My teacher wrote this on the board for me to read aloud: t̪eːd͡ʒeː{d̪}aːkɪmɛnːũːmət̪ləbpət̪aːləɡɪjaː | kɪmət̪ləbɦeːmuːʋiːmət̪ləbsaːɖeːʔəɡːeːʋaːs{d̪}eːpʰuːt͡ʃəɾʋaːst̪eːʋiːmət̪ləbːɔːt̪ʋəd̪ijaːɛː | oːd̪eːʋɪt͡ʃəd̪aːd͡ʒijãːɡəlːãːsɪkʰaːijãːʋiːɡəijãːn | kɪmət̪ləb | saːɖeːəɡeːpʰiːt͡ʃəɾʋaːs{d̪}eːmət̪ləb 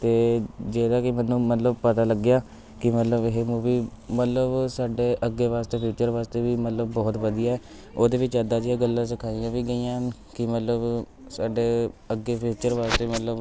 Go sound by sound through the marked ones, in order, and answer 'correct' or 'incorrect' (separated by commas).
correct, incorrect, incorrect